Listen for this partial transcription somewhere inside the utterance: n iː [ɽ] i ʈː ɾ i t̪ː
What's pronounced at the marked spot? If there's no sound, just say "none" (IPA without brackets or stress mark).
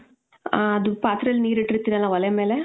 ɾ